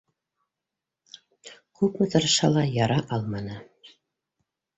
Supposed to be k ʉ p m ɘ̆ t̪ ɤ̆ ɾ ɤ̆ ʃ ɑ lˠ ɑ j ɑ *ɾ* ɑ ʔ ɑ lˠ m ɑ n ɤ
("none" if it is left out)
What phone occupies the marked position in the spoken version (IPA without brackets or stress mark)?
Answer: ɾ